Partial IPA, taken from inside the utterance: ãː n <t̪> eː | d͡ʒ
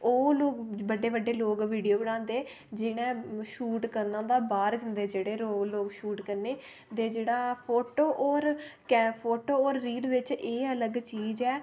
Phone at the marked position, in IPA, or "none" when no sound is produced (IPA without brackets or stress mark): d̪